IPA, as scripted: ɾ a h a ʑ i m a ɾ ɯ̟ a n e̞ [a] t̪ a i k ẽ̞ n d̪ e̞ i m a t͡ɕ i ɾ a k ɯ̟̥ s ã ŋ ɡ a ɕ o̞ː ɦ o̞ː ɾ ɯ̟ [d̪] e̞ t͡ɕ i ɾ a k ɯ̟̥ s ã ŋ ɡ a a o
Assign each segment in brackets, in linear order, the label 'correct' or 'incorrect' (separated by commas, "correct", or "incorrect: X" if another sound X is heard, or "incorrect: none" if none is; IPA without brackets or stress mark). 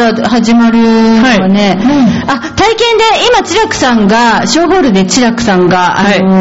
correct, correct